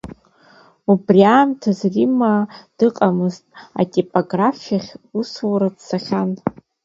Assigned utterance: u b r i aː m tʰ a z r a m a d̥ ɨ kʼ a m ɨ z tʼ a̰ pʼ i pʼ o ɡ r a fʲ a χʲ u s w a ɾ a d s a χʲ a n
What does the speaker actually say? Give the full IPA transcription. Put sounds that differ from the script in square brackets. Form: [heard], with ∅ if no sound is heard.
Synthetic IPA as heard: u b r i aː m tʰ a z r [i] m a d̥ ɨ [qʼ] a m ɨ z tʼ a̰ [tʼ] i pʼ o ɡ r a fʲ a χʲ u s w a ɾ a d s a χʲ a n

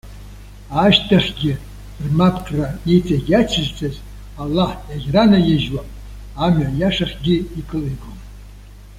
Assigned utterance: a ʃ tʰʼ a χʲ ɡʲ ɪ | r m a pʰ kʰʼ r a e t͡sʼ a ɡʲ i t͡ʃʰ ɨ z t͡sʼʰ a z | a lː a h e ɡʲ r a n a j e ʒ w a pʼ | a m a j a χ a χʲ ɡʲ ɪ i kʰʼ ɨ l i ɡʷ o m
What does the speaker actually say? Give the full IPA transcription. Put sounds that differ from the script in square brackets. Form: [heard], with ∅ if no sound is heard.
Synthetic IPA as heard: a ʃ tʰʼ a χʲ ɡʲ ɪ | r m a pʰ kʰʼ r a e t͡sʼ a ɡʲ [a] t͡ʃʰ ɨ z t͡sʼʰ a z | a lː a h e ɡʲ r a n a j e ʒ w a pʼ | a m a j a [ʂ] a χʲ ɡʲ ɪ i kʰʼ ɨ l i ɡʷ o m

